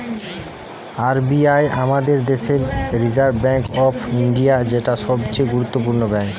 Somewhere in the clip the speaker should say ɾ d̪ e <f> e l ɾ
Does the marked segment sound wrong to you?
yes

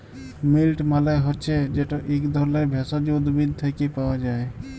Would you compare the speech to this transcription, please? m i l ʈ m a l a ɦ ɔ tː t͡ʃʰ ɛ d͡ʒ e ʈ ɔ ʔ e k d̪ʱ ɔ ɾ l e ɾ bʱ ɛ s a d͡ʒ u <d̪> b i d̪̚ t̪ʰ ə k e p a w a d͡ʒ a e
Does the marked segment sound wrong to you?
no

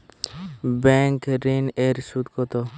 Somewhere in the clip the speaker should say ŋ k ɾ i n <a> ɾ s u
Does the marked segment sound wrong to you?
yes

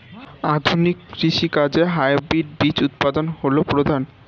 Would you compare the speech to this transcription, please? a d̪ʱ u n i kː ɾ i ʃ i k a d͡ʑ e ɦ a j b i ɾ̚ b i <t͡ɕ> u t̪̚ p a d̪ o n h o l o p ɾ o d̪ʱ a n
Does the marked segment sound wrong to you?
no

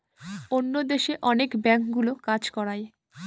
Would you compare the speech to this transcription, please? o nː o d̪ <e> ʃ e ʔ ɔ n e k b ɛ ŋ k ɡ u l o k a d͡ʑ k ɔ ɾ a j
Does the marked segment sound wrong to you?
no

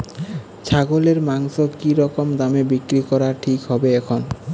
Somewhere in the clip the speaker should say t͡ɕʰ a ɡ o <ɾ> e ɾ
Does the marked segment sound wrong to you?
yes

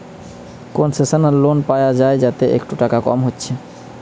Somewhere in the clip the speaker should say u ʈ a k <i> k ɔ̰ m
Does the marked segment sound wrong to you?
yes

